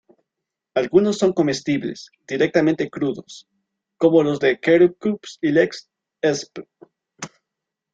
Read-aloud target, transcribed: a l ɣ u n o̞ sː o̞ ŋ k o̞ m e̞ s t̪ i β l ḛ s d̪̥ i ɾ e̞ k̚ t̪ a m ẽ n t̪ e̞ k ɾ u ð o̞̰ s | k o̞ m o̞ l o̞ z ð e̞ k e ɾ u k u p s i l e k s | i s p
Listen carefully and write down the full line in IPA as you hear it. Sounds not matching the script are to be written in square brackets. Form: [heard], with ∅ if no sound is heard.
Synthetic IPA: a l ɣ u n o̞ sː o̞ ŋ k o̞ m e̞ s t̪ i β l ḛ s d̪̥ i ɾ e̞ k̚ t̪ a m ẽ n t̪ e̞ k ɾ u ð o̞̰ s | k o̞ m o̞ l o̞ z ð e̞ k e ɾ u k u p s i l e k s | [e] s p